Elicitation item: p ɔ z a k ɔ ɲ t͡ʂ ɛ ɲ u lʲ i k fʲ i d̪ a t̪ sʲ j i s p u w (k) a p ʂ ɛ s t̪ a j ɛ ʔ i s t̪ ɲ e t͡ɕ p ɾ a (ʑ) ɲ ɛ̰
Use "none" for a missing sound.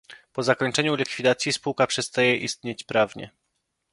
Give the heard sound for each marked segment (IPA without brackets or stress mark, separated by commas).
k, v